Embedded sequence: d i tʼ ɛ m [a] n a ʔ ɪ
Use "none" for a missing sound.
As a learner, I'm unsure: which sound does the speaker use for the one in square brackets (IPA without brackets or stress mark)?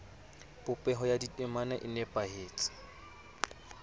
a